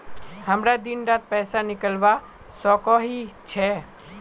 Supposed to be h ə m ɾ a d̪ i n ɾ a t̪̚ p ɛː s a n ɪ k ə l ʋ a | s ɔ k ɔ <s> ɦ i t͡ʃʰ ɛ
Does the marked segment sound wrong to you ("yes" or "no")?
yes